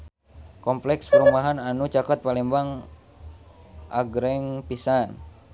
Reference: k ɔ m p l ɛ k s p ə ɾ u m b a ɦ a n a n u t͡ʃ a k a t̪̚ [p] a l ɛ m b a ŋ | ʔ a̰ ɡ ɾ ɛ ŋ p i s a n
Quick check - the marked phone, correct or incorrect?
correct